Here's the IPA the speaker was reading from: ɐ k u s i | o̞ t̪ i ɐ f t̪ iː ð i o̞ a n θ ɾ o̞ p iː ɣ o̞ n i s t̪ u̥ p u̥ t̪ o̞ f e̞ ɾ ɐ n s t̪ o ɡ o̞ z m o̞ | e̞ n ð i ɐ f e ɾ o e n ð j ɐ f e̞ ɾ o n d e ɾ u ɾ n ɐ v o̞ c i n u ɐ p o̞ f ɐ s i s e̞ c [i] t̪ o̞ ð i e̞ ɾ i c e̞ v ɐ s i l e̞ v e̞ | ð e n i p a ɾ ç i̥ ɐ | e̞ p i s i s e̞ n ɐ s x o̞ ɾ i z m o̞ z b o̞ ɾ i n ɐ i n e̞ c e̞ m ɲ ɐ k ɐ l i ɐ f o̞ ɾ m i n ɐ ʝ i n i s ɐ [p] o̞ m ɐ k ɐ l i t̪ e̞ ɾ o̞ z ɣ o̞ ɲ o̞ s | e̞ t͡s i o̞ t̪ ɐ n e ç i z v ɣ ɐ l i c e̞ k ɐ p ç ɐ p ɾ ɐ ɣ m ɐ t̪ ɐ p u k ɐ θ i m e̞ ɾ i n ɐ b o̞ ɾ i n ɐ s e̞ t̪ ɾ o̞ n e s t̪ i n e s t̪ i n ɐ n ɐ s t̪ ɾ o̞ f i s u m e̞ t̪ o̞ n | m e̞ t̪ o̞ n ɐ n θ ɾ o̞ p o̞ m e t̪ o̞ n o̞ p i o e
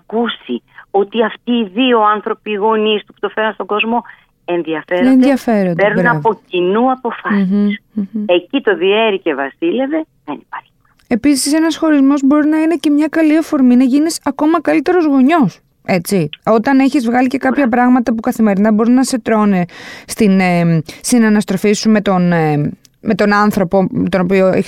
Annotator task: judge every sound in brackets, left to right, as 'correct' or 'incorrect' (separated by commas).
correct, incorrect